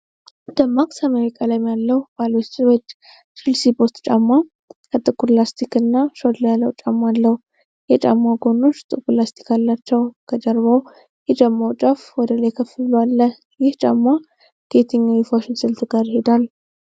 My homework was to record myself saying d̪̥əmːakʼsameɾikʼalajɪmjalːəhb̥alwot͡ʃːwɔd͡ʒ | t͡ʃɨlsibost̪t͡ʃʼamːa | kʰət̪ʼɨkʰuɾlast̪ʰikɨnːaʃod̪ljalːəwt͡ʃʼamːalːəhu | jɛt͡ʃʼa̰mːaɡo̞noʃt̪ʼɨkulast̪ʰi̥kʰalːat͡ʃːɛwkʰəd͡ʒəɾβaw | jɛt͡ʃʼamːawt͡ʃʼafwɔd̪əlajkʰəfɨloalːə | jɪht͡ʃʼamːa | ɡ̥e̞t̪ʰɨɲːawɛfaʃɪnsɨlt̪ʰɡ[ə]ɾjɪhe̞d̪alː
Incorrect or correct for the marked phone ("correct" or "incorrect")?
incorrect